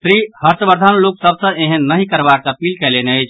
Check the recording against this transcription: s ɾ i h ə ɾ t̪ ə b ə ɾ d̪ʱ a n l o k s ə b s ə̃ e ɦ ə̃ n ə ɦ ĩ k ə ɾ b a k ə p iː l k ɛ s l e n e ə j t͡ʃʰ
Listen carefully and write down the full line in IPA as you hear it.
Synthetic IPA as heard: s ɾ i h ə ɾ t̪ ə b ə ɾ d̪ʱ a n l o k s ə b s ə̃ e ɦ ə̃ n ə ɦ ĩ k ə ɾ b a k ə p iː l k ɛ l e n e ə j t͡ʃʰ